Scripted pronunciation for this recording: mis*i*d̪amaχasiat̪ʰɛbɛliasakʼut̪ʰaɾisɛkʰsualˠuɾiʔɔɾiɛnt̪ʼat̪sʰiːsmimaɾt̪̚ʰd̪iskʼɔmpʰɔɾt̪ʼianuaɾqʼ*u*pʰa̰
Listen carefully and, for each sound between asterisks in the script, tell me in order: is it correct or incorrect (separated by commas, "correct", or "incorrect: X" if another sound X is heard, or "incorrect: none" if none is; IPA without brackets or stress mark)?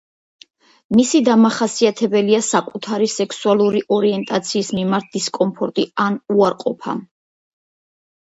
correct, incorrect: ɔ